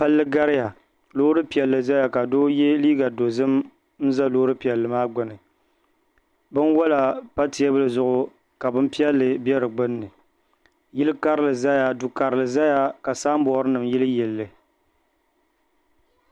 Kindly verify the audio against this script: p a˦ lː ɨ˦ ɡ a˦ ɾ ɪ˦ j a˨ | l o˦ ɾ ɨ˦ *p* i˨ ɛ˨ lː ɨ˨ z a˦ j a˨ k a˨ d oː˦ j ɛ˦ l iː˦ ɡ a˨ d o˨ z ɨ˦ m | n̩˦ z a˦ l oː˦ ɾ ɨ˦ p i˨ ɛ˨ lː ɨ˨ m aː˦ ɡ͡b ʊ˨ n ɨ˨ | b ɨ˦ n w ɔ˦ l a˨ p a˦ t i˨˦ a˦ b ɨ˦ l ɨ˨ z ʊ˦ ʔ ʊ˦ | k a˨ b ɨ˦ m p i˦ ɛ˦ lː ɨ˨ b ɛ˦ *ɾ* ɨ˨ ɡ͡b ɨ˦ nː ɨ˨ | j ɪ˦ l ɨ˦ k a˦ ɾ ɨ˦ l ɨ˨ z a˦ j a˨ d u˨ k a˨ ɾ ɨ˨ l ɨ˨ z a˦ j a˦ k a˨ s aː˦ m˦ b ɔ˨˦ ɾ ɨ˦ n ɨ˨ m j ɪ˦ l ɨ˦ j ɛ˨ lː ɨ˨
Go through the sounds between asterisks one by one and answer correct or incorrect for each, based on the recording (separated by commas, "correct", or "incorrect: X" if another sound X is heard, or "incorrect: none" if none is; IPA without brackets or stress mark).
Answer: correct, correct